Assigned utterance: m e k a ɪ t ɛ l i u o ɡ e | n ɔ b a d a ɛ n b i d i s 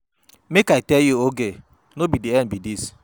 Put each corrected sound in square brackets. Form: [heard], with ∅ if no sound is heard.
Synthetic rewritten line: m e k a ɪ t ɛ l [j] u o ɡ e | n [o] b [i] d [i] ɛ n b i d i s